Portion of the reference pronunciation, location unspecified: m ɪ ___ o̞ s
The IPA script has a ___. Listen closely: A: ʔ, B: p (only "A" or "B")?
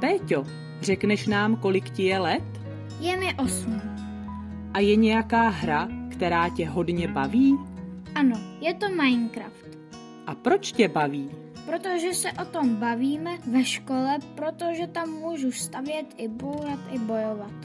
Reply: A